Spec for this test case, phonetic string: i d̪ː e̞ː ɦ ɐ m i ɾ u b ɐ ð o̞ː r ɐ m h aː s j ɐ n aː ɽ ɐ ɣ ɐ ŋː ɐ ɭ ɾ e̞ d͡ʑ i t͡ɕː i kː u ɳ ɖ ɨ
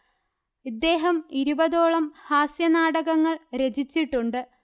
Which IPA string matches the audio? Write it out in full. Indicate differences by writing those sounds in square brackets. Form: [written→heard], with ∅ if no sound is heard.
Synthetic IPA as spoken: i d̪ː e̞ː ɦ ɐ m i ɾ u b ɐ ð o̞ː [r→ɭ] ɐ m h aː s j ɐ n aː ɽ ɐ ɣ ɐ ŋː ɐ ɭ ɾ e̞ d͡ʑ i t͡ɕː i [kː→ʈː] u ɳ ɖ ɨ